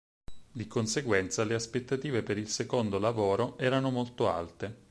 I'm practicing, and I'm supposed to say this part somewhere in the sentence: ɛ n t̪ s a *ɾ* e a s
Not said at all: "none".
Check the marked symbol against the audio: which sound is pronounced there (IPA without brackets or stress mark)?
l